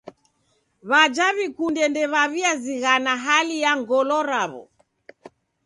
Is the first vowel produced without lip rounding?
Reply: yes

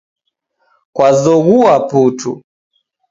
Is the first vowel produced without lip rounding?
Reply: yes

